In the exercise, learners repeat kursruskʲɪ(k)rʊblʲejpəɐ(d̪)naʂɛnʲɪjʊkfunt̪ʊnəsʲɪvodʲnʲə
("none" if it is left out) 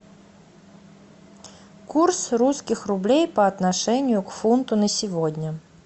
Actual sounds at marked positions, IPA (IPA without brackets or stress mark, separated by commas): x, t̪